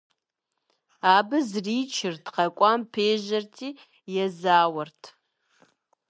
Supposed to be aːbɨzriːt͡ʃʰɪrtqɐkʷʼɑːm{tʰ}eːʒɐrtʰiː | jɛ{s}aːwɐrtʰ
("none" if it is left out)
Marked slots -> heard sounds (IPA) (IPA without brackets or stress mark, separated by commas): pʰ, z